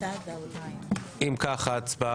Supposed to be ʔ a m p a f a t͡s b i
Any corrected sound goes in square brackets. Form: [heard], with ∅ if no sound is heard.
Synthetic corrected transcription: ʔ [i] m [k] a [χ] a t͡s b [a]